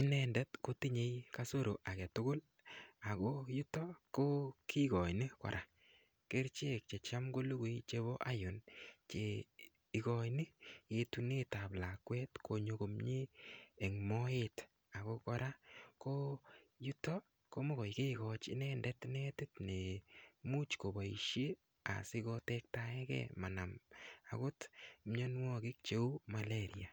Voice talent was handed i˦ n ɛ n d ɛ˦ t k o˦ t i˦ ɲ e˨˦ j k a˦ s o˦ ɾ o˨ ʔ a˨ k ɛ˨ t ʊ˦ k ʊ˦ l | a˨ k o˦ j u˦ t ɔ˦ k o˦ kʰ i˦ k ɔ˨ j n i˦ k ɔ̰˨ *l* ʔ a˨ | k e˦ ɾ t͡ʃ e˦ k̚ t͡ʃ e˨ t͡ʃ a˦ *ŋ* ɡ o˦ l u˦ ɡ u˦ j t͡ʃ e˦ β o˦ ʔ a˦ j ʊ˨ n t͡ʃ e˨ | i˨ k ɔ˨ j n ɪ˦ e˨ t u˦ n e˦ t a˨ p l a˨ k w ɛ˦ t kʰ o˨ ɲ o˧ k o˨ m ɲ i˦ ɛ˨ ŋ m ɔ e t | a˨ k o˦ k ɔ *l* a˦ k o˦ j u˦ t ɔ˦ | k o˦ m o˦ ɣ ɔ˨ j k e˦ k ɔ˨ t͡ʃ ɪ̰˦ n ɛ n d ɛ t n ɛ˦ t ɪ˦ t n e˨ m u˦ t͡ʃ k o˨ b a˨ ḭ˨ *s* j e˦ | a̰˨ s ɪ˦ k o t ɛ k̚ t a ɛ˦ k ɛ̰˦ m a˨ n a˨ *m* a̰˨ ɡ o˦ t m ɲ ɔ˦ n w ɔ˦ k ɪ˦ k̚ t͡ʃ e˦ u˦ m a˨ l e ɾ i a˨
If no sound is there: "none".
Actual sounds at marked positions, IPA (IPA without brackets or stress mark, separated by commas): ɾ, m, ɾ, ʃ, m